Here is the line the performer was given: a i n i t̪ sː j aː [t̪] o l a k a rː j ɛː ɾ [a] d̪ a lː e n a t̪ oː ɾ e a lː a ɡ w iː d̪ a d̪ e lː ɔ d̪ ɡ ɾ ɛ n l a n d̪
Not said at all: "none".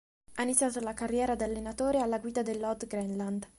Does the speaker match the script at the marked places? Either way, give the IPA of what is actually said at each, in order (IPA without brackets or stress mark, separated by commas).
t̪, a